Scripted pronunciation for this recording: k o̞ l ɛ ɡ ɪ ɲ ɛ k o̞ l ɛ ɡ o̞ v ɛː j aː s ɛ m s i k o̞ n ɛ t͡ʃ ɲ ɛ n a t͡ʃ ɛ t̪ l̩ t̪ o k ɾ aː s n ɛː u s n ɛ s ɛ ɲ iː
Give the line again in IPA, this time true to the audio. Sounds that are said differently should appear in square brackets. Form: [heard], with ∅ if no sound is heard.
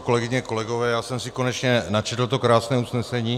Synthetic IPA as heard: k o̞ l ɛ ɡ ɪ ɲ ɛ k o̞ l ɛ ɡ o̞ v ɛː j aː s ɛ m s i k o̞ n ɛ t͡ʃ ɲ ɛ n a t͡ʃ ɛ t̪ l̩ t̪ o k ɾ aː s n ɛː u s n ɛ s ɛ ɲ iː